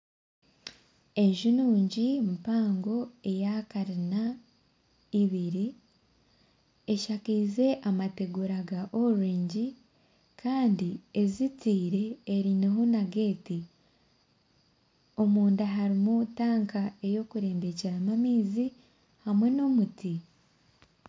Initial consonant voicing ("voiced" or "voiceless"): voiced